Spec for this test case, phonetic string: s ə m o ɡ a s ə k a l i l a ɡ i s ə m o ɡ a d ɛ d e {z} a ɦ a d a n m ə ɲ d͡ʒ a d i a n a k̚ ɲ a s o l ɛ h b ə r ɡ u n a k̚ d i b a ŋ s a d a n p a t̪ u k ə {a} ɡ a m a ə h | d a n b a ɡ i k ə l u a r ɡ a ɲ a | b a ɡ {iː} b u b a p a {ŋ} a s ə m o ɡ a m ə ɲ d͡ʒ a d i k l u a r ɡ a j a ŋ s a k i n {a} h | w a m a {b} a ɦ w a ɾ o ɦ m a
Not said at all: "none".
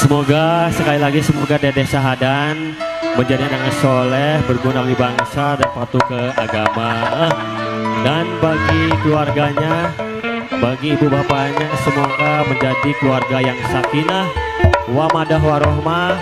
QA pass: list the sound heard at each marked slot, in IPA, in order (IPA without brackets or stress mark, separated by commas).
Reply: s, a, iː, ɲ, a, d